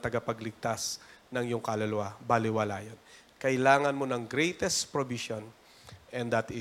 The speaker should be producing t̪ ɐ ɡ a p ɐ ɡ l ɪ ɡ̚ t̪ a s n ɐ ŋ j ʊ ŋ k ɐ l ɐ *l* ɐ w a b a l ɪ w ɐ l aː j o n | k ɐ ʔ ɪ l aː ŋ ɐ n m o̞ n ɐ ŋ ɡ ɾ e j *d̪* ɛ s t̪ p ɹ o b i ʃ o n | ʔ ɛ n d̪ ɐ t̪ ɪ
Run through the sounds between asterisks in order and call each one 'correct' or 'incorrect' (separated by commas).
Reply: correct, incorrect